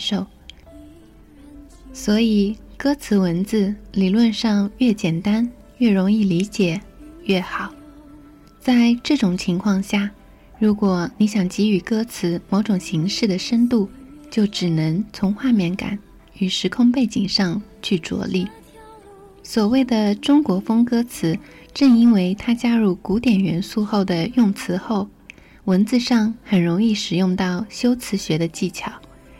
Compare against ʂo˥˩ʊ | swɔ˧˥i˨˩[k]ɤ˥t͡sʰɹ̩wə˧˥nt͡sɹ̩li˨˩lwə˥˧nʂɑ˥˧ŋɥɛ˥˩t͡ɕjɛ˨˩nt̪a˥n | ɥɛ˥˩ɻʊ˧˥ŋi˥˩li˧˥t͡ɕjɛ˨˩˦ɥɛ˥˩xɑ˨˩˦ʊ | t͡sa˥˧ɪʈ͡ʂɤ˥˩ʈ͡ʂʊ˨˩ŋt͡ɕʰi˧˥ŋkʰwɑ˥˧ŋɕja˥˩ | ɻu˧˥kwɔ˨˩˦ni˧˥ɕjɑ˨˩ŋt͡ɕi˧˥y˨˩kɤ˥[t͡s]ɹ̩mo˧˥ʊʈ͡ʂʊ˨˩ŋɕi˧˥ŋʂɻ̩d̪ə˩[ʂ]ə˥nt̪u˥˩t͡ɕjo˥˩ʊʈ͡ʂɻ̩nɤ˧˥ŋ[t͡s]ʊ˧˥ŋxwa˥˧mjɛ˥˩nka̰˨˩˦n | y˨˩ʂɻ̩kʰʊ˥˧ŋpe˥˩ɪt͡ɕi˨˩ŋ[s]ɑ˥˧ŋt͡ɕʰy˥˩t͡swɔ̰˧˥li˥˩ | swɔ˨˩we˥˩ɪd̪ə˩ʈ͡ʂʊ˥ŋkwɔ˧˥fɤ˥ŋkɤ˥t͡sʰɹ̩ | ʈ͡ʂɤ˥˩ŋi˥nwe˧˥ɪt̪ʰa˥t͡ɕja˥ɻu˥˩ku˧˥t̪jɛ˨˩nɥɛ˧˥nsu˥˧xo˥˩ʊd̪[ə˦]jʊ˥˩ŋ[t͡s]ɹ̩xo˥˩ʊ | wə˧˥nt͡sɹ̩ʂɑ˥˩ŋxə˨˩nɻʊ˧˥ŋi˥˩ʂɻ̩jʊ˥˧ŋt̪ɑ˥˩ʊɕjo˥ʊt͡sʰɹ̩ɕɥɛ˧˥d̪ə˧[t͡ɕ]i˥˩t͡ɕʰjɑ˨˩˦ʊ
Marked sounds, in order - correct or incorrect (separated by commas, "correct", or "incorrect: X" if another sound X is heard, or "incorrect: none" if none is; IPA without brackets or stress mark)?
correct, incorrect: t͡sʰ, correct, incorrect: t͡sʰ, incorrect: ʂ, incorrect: ə˩, incorrect: t͡sʰ, correct